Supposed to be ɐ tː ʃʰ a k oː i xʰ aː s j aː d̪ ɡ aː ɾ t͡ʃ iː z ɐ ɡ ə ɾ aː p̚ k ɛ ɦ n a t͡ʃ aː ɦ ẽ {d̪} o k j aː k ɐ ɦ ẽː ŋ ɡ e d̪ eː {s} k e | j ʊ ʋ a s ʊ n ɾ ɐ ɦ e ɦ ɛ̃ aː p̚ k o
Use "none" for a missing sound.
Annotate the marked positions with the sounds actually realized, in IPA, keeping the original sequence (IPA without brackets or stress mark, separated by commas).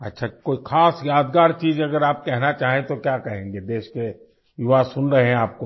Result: t̪, ʃ